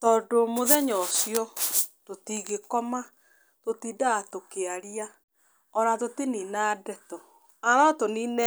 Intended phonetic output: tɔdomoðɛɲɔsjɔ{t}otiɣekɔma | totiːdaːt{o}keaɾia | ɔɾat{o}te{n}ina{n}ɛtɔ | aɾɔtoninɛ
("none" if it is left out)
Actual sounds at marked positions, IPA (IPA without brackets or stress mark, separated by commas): t, o, o, n, d